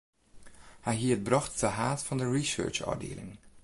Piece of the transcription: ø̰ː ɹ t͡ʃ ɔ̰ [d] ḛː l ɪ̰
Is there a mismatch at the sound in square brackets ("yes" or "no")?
no